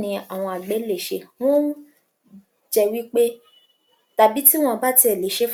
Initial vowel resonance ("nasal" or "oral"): nasal